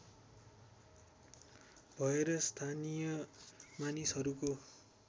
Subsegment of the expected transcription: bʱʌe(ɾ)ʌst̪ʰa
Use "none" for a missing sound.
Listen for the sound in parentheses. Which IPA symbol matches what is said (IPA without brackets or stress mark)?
ɾ